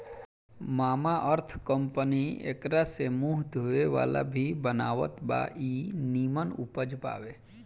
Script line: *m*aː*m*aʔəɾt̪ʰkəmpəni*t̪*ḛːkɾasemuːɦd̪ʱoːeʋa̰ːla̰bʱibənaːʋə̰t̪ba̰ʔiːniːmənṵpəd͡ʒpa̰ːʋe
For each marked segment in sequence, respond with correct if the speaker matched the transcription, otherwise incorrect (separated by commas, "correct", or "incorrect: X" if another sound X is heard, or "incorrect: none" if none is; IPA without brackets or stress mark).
correct, correct, incorrect: none